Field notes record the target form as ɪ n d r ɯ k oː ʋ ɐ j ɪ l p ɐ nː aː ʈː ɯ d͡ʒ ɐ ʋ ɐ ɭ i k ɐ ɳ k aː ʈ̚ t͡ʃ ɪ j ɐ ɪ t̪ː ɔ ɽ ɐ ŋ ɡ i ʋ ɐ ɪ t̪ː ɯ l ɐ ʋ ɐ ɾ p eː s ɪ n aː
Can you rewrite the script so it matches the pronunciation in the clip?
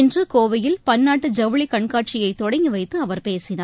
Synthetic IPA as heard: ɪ n d r ɯ k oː ʋ ɐ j ɪ l p ɐ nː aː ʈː ɯ d͡ʒ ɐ ʋ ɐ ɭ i k ɐ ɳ k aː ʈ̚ t͡ʃ ɪ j ɐ ɪ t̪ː ɔ ɽ ɐ ŋ ɡ i ʋ ɐ ɪ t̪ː ɯ ɐ ʋ ɐ ɾ p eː s ɪ n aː